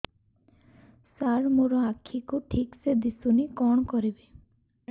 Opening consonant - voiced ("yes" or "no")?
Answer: no